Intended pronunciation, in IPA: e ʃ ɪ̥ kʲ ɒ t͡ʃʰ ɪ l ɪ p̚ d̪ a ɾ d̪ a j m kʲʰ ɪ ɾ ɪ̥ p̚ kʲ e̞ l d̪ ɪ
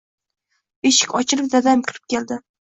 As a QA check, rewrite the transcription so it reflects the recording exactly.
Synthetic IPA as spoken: e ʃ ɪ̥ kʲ ɒ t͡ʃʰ ɪ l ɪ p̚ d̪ a d̪ a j m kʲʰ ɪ ɾ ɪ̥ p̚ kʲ e̞ l d̪ ɪ